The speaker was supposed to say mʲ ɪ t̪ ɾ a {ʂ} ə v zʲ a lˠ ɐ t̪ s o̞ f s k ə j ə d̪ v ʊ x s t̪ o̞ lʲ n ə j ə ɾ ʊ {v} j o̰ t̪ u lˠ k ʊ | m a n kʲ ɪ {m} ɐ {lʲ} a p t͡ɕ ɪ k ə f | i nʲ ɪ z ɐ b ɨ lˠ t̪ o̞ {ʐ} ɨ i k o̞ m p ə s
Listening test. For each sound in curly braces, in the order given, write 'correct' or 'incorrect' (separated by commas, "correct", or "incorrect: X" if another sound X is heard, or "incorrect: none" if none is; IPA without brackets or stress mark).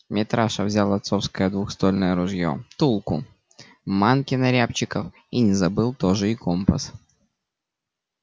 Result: correct, incorrect: ʐ, incorrect: n, incorrect: ɾʲ, correct